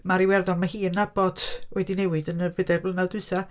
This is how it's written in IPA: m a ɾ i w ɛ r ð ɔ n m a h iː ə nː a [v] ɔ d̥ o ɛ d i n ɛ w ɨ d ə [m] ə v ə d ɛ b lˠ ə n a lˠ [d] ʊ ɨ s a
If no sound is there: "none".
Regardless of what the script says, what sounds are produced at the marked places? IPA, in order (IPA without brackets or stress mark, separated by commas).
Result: b, n, d